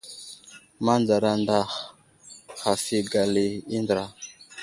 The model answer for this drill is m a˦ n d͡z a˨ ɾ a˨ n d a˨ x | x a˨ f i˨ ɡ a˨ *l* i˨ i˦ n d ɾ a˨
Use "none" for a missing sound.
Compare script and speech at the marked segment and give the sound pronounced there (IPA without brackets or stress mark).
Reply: l